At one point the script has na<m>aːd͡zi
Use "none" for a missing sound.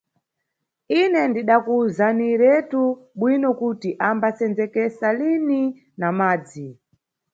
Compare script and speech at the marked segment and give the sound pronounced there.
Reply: m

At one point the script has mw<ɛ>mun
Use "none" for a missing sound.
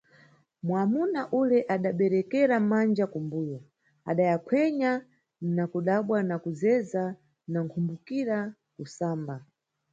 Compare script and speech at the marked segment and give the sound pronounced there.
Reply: a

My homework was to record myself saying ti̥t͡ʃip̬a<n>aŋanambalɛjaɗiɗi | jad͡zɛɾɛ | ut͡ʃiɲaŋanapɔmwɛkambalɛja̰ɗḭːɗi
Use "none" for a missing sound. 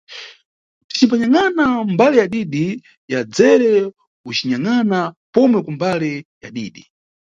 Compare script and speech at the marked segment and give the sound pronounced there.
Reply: ɲ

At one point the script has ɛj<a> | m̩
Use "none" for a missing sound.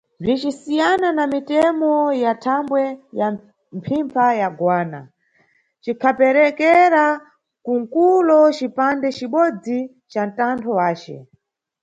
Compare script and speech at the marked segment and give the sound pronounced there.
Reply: a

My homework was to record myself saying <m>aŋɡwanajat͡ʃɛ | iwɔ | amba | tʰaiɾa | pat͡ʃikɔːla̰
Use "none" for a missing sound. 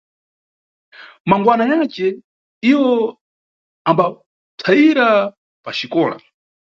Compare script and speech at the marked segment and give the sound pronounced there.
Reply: m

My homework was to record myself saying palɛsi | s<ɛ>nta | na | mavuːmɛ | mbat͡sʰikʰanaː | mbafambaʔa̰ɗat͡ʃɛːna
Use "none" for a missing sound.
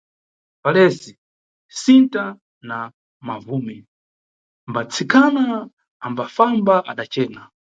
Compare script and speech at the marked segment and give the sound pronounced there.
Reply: i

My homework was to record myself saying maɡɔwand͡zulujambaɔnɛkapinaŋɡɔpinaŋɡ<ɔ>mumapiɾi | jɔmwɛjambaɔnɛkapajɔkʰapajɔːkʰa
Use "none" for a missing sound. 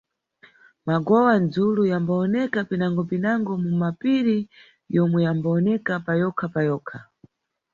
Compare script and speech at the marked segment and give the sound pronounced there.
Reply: ɔ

